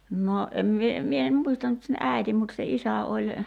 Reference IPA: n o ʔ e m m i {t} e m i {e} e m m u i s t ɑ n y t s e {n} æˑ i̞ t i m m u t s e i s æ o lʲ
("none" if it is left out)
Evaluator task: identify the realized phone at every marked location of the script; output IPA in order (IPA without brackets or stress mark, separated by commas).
none, e, n